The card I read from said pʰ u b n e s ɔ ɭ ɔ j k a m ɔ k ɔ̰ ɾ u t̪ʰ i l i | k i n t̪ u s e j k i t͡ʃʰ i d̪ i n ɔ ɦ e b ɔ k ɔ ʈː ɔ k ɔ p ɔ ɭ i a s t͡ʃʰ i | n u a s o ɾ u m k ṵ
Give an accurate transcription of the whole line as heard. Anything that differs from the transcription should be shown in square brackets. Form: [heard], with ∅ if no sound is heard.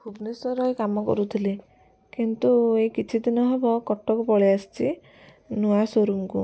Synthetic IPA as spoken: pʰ u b n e s ɔ [ɾ] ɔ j k a m ɔ k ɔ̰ ɾ u t̪ʰ i l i | k i n t̪ u [∅] e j k i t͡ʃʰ i d̪ i n ɔ ɦ e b ɔ k ɔ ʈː ɔ k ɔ p ɔ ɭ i a s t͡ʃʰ i | n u a s o ɾ u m k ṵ